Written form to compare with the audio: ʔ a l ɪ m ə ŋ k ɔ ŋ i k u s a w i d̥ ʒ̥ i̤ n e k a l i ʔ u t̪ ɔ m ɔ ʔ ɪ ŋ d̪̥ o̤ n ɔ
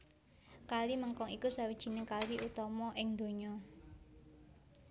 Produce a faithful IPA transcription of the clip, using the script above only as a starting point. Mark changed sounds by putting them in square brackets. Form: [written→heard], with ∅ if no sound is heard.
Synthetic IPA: [ʔ→k] a l [ɪ→i] m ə ŋ k ɔ ŋ i k u s a w i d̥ ʒ̥ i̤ n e k a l i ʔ u t̪ ɔ m ɔ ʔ ɪ ŋ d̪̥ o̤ [n→ɲ] ɔ